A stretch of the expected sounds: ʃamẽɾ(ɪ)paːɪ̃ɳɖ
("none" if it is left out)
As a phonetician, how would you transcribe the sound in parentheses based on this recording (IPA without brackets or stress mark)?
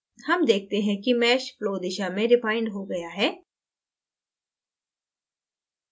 ɪ